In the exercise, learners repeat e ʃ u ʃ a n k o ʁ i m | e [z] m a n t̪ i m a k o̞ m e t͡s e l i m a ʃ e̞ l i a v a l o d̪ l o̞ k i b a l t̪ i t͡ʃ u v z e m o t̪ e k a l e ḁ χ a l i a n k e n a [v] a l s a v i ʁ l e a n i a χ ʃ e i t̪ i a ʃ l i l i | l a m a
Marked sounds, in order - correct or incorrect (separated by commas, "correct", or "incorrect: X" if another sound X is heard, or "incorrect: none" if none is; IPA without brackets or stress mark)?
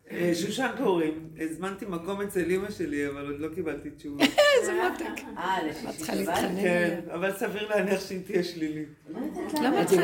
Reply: correct, correct